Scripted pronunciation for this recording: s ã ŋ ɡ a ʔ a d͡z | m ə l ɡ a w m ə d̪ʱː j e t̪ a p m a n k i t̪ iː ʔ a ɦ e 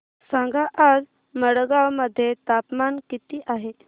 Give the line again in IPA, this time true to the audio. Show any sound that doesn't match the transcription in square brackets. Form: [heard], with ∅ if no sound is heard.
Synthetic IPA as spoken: s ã ŋ ɡ a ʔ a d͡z | m ə [ɽ] ɡ a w m ə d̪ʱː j e t̪ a p m a n k i t̪ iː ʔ a ɦ e